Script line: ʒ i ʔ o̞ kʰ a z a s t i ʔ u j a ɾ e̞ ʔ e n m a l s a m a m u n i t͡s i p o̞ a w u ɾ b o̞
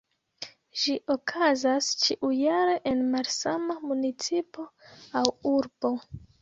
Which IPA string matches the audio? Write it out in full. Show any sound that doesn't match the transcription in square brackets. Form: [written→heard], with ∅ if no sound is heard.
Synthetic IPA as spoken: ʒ i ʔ o̞ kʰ a z a s [t→t͡ʃ] i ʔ u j a ɾ e̞ ʔ e n m a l s a m a m u n i t͡s i p o̞ a w u ɾ b o̞